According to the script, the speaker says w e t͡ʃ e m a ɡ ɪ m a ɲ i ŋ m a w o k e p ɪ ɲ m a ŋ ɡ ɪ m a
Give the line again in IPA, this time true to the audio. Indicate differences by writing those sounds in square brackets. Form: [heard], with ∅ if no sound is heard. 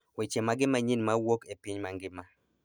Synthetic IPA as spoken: w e t͡ʃ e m a ɡ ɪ m a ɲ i [n] m a w o k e p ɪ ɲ m a ŋ ɡ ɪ m a